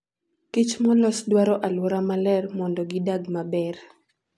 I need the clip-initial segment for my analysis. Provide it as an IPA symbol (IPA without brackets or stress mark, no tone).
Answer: k